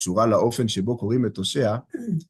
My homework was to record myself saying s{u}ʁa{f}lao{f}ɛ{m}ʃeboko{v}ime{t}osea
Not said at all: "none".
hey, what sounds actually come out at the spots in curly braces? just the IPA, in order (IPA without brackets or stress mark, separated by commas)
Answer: u, none, f, n, ʁ, t